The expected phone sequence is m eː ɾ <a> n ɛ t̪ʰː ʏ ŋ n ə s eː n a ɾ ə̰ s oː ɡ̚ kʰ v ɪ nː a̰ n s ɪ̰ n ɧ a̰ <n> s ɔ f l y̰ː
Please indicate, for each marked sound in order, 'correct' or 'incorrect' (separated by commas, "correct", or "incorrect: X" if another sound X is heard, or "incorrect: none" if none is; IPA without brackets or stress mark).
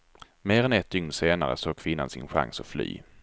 incorrect: ɛ, incorrect: ŋ